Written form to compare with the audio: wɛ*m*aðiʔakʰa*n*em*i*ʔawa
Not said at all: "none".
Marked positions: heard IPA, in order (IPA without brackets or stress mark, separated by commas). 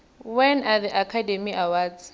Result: n, d, i